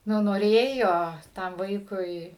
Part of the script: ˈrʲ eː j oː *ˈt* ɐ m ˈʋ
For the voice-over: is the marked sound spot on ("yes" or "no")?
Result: yes